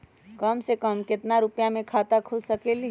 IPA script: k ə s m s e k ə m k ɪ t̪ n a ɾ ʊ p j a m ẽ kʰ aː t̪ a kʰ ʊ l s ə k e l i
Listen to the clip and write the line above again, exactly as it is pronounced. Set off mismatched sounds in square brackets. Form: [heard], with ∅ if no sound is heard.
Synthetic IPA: k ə [∅] m s e k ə m k ɪ t̪ n a ɾ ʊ p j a m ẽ kʰ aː t̪ a kʰ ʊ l s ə k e l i